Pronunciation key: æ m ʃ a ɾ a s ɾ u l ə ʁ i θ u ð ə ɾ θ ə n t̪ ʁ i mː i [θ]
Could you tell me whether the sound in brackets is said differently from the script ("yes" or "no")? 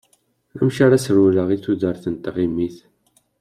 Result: no